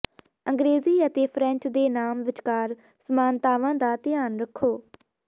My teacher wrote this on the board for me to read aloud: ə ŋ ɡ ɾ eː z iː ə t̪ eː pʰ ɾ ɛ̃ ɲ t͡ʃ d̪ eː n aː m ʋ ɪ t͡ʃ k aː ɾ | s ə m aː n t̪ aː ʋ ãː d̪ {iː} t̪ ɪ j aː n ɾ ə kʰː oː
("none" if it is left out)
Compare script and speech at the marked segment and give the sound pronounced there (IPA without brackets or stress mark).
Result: aː